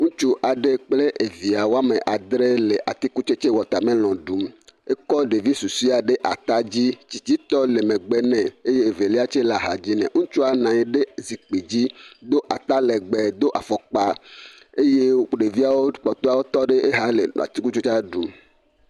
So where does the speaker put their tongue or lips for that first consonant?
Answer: velum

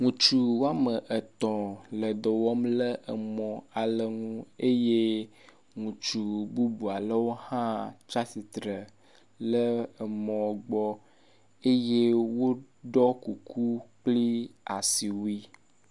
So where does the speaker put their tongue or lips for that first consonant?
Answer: velum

